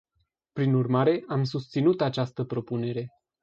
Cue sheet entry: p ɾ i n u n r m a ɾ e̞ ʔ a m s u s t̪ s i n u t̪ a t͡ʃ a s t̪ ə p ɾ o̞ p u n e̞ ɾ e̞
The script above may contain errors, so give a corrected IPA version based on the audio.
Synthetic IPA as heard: p ɾ i n u r m a ɾ e̞ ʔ a m s u s t̪ s i n u t̪ a t͡ʃ a s t̪ ə p ɾ o̞ p u n e̞ ɾ e̞